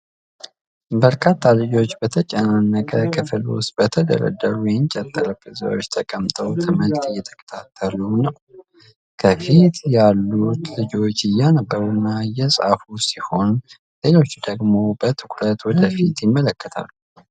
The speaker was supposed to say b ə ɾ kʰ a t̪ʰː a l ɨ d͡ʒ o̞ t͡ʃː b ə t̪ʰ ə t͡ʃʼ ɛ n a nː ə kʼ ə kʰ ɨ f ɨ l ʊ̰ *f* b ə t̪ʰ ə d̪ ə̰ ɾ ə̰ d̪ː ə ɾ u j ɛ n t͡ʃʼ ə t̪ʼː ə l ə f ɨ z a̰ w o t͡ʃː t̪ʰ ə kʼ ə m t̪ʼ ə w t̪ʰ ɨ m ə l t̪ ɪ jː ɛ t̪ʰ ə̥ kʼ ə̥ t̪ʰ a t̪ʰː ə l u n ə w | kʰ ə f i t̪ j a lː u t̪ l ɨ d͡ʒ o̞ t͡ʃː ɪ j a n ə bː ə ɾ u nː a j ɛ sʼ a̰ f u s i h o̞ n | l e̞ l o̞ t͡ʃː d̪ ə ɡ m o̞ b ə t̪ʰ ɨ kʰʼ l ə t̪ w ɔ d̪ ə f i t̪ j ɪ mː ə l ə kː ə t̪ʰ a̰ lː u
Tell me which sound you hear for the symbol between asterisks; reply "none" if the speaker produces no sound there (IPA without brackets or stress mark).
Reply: s